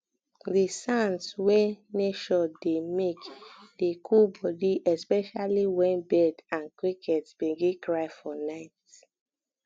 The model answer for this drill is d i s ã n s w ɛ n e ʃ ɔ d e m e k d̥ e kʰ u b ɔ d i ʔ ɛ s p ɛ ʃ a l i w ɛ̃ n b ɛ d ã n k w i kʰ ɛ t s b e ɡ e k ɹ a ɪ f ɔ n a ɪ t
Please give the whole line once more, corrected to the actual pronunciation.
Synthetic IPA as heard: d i s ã n s w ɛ n e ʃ ɔ d e m e k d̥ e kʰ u b ɔ d i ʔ ɛ s p ɛ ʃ a l i w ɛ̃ n b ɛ d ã n k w i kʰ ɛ t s b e ɡ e k ɹ a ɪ f ɔ n a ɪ t